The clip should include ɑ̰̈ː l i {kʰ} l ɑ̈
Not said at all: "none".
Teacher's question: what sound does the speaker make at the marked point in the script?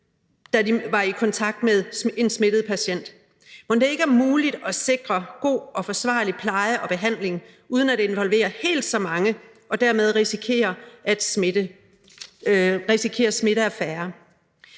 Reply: pʰ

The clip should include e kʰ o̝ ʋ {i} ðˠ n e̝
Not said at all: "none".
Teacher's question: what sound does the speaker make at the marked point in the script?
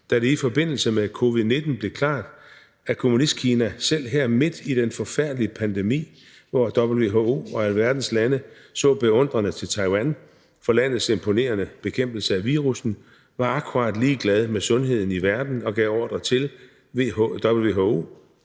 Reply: i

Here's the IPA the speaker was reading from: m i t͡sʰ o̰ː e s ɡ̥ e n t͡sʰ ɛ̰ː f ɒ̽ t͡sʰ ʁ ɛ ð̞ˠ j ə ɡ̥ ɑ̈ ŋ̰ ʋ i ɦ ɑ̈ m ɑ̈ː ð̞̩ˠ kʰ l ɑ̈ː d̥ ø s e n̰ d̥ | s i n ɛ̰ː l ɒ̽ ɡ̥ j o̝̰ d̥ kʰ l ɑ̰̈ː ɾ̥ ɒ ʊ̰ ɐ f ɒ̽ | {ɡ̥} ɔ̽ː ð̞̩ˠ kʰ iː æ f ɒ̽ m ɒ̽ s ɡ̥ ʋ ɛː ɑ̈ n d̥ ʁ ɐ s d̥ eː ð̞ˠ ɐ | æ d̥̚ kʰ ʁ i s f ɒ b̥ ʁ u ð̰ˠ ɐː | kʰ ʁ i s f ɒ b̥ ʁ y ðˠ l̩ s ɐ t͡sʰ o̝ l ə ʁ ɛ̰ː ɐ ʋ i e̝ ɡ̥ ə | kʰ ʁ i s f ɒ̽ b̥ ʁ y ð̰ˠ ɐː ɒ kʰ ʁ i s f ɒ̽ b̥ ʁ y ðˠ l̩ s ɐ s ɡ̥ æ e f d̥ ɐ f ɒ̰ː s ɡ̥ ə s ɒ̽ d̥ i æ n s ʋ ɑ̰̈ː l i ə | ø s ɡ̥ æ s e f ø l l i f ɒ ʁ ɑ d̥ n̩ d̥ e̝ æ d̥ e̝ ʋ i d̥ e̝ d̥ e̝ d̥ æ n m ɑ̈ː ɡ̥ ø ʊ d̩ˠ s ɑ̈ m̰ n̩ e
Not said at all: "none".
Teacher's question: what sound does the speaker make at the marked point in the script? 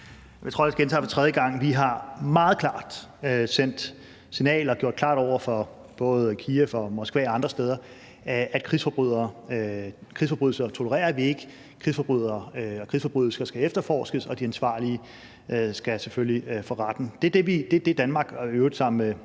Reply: b̥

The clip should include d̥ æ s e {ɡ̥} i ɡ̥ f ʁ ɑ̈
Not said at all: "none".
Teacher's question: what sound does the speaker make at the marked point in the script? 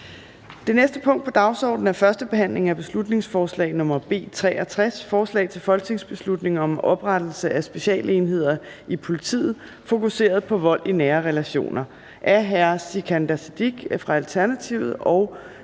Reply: d̥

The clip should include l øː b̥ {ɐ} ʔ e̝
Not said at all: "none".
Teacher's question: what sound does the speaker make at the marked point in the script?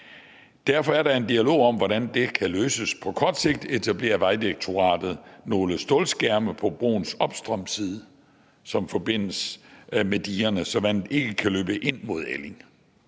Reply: ə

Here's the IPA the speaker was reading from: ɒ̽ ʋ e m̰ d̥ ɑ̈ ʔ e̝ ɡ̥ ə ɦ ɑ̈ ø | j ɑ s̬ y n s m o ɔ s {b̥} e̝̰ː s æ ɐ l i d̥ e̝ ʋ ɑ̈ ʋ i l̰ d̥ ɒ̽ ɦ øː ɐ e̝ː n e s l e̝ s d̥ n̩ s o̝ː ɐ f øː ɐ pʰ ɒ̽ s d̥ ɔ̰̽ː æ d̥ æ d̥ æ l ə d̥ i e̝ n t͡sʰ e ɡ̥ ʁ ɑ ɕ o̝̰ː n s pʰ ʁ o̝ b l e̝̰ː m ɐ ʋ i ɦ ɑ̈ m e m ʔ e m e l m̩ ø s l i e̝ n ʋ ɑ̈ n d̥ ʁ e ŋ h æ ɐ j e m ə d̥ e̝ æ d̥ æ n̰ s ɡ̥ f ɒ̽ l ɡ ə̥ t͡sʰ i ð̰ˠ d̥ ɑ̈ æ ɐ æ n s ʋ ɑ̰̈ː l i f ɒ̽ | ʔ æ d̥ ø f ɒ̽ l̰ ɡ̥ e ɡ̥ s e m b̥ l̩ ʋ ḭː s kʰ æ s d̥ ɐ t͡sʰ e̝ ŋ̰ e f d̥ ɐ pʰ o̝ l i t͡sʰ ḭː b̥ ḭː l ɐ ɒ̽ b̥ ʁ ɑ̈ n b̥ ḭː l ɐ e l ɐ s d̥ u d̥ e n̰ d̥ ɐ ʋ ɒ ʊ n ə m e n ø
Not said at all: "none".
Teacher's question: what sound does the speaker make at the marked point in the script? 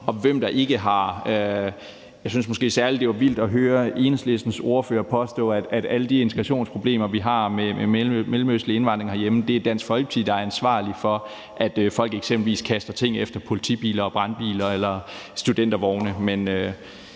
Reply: ɡ̥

